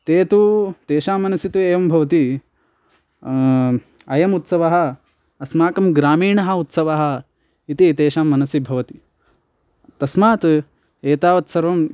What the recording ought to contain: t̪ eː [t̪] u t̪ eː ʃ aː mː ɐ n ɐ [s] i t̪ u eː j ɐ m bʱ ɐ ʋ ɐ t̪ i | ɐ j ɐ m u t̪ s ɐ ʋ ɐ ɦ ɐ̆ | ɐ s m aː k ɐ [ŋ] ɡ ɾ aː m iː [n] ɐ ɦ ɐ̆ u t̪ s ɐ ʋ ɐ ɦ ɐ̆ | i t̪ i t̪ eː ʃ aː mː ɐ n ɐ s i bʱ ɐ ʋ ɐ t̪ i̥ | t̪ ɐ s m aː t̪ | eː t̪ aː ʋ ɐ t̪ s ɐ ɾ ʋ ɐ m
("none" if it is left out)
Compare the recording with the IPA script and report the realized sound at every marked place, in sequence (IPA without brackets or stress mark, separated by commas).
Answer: t̪, s, m, ɳ